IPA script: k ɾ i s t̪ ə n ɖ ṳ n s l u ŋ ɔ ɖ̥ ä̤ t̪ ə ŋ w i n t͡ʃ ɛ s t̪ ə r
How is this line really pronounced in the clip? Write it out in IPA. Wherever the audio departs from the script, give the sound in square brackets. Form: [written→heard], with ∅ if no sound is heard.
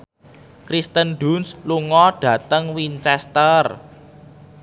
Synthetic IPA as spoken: k ɾ i s t̪ ə n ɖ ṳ n s l u ŋ ɔ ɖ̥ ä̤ t̪ ə ŋ w i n t͡ʃ ɛ s t̪ ə r

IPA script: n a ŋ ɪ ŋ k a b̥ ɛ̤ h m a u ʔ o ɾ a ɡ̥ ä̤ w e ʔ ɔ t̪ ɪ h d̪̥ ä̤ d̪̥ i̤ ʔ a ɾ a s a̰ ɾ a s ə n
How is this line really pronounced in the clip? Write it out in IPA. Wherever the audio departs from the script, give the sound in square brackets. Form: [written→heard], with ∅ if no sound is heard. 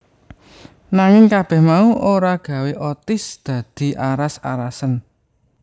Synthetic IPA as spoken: n a ŋ ɪ ŋ k a b̥ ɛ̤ h m a u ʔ o ɾ a ɡ̥ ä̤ w e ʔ ɔ t̪ ɪ [h→s] d̪̥ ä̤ d̪̥ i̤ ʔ a ɾ a s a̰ ɾ a s ə n

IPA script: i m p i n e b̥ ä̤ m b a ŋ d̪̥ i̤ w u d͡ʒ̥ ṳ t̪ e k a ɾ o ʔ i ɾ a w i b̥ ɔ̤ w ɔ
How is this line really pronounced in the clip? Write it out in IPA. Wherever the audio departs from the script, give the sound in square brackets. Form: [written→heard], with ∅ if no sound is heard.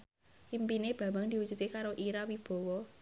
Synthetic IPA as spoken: i m p i n e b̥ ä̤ m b a ŋ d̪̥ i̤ w u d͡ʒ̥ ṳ t̪ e k a ɾ o ʔ i ɾ a w i b̥ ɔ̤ w ɔ

